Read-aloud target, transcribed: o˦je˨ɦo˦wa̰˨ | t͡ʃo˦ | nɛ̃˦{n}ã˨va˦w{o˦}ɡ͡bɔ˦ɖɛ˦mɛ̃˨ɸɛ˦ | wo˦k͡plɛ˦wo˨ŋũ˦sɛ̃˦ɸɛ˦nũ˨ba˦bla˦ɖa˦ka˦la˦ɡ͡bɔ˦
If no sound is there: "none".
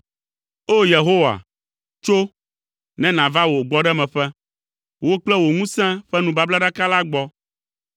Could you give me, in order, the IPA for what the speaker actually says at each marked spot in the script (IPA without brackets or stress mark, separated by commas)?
n, o˨